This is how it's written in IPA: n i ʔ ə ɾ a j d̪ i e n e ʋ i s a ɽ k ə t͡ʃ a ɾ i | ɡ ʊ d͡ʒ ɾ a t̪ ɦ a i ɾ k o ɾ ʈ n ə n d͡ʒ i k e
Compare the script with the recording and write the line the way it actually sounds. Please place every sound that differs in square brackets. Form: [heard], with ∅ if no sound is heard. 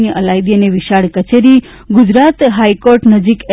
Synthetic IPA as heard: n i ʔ ə [l] a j d̪ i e n e ʋ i [ʃ] a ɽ k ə t͡ʃ [e] ɾ i | ɡ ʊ d͡ʒ ɾ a t̪ ɦ a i [∅] k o ɾ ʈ n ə [∅] d͡ʒ i k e

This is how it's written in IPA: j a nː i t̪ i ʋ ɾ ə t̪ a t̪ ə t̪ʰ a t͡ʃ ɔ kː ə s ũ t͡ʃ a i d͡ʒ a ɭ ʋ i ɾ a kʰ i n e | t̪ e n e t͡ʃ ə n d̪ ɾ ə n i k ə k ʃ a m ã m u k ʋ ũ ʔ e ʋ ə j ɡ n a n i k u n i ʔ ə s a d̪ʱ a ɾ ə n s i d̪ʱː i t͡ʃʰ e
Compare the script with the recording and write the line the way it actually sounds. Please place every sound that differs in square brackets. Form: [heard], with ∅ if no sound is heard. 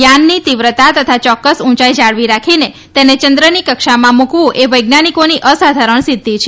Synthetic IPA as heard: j a nː i t̪ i ʋ ɾ ə t̪ a t̪ ə t̪ʰ a t͡ʃ ɔ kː ə s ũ t͡ʃ a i d͡ʒ a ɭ ʋ i ɾ a kʰ i n e | t̪ e n e t͡ʃ ə n d̪ ɾ ə n i k ə k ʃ a m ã m u k ʋ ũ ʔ e ʋ ə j ɡ n a n i k [o] n i ʔ ə s a d̪ʱ a ɾ ə [ɳ] s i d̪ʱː i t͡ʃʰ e

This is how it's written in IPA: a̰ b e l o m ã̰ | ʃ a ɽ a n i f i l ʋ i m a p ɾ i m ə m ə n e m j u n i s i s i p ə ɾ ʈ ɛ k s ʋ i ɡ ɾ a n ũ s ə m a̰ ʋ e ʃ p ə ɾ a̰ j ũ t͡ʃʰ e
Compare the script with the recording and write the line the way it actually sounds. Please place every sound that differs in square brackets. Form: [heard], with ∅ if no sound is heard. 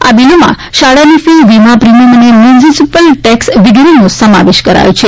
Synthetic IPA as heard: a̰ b [i] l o m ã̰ | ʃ a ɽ a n i f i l ʋ i m a p ɾ i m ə m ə n e m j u n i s i s i p ə [l] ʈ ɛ k s ʋ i ɡ ɾ [i] n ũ s ə m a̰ ʋ e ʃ [k] ə ɾ a̰ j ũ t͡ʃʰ e

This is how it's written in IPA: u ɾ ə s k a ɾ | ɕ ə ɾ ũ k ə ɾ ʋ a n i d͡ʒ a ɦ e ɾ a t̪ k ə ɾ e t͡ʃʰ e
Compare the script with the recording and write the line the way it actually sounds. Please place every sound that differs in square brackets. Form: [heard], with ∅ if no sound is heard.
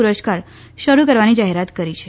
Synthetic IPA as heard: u ɾ ə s k a ɾ | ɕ ə ɾ [u] k ə ɾ ʋ a n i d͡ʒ a ɦ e ɾ a t̪ k ə ɾ [i] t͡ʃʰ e

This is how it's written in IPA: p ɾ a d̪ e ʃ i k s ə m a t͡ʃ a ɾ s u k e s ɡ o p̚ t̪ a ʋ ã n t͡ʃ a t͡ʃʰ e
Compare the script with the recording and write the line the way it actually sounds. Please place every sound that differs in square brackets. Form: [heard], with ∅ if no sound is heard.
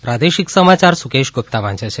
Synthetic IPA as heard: p ɾ a d̪ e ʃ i k s ə m a t͡ʃ a ɾ s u k e [ʃ] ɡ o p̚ t̪ a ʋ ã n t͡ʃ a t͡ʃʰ e

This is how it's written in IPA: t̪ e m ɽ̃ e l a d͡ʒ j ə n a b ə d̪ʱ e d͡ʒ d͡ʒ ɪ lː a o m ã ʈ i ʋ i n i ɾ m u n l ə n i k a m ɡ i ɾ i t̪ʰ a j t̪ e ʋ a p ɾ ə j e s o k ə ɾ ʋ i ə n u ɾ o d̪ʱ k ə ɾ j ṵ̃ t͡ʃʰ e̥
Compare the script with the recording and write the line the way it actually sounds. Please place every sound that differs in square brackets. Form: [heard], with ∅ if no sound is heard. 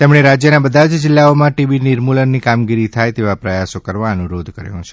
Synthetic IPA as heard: t̪ e m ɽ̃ e [ɾ] a d͡ʒ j ə n a b ə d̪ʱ [a] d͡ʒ d͡ʒ ɪ lː a o m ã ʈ i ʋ i n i ɾ m u [∅] l ə [nː] i k a m ɡ i ɾ i t̪ʰ a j t̪ e ʋ a p ɾ ə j [a] s o k ə ɾ ʋ [a] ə n u ɾ o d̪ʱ k ə ɾ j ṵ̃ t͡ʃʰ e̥

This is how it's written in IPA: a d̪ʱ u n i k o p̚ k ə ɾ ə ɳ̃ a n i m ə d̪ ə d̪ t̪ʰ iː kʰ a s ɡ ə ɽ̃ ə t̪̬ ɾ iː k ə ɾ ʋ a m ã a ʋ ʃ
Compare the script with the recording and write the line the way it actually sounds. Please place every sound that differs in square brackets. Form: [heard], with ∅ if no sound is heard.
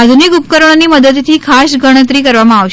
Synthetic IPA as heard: a d̪ʱ u n i k [u] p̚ k ə ɾ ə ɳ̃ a n i m ə d̪ ə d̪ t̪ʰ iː kʰ a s ɡ ə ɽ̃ ə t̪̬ ɾ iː k ə ɾ ʋ a m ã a ʋ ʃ

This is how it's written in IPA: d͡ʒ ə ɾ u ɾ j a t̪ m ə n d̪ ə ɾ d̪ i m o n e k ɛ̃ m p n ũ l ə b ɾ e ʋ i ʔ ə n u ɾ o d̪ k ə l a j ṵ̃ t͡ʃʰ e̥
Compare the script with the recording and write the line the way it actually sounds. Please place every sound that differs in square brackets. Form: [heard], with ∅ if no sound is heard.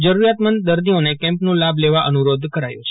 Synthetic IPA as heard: d͡ʒ ə ɾ u ɾ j a t̪ m ə n d̪ ə ɾ d̪ i [∅] o n e k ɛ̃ m p n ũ l [a] b [l] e ʋ [a] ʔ ə n u ɾ o d̪ k ə [ɾ] a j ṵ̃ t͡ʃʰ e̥

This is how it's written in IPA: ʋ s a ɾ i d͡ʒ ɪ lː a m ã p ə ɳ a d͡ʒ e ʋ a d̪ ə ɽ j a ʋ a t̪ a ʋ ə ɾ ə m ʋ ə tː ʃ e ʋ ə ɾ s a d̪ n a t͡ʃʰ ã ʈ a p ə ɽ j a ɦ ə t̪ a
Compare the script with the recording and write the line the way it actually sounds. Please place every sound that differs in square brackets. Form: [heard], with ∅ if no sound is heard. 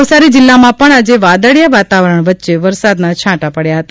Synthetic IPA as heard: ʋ s a ɾ i d͡ʒ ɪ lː a m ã p ə ɳ a d͡ʒ e ʋ a d̪ ə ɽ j a ʋ a t̪ a ʋ ə ɾ ə [ɳ] ʋ ə tː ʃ e ʋ ə ɾ s a d̪ n a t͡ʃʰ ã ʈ a p ə ɽ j a ɦ ə t̪ a

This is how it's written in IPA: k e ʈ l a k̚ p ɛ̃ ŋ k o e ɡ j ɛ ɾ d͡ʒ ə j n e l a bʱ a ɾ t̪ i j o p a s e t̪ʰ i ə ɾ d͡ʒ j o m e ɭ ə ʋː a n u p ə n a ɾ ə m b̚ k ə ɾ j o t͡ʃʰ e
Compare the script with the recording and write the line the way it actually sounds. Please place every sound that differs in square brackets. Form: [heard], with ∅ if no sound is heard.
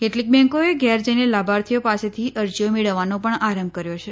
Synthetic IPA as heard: k e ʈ l [i] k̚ [b] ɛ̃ ŋ k o e ɡ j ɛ ɾ d͡ʒ ə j n e l a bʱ a ɾ [t̪ʰ] i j o p a s e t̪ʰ i ə ɾ d͡ʒ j o m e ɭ ə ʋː a n [o] p ə [ɳ] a ɾ ə m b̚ k ə ɾ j o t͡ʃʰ e

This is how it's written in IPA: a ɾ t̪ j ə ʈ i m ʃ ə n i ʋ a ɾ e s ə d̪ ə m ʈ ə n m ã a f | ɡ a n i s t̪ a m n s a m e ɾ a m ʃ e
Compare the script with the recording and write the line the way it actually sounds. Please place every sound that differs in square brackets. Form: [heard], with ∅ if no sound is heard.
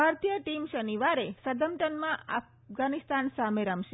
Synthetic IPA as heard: a ɾ t̪ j ə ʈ i m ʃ ə n i ʋ a ɾ e s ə d̪ ə m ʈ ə n m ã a f | ɡ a n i s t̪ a [∅] n s a m e ɾ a m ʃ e

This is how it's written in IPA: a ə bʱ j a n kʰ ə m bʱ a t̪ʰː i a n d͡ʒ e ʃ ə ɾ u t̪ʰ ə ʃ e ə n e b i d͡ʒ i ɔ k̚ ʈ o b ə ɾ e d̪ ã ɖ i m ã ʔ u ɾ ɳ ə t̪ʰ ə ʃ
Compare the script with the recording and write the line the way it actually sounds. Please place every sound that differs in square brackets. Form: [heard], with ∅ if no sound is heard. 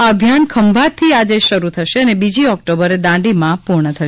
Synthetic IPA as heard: a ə bʱ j a n kʰ ə m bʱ a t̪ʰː i a [∅] d͡ʒ e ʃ ə ɾ u t̪ʰ ə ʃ e ə n e b i d͡ʒ i ɔ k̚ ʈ o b ə ɾ e d̪ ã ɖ i m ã [p] u ɾ ɳ ə t̪ʰ ə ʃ

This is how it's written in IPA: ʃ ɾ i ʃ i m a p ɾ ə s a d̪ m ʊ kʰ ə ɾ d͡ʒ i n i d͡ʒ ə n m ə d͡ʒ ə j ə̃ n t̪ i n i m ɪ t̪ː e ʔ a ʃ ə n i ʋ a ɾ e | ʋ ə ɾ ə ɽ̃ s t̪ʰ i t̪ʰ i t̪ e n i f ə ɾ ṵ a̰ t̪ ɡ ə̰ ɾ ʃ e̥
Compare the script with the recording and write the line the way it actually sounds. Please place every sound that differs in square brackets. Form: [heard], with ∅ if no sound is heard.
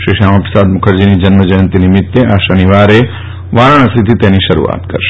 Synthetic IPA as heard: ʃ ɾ i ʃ [a] m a p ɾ ə s a d̪ m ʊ kʰ ə ɾ d͡ʒ i n i d͡ʒ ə n m ə d͡ʒ ə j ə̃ n t̪ i n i m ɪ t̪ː e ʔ a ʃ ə n i ʋ a ɾ e | ʋ [a] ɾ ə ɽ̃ s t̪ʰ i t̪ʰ i t̪ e n i [ʃ] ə ɾ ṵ a̰ t̪ [k] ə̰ ɾ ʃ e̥

